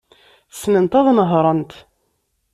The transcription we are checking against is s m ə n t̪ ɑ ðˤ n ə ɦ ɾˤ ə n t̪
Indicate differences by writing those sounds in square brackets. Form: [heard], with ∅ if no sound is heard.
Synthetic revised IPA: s [n] ə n t̪ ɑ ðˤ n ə ɦ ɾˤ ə n t̪